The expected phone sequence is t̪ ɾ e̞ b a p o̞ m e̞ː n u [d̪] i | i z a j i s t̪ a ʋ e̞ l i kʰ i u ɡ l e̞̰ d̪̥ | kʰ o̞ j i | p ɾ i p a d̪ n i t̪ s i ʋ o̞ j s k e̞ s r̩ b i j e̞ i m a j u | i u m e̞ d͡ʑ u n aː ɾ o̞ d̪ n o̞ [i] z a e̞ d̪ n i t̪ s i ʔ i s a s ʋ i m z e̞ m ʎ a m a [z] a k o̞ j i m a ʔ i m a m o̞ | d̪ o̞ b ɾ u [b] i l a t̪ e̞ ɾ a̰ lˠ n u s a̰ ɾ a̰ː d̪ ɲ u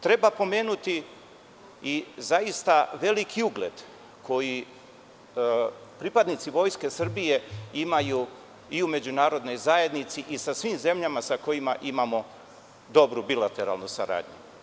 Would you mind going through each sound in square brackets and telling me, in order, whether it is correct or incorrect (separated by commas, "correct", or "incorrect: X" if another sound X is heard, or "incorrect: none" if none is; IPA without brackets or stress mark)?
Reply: incorrect: t̪, incorrect: j, incorrect: s, correct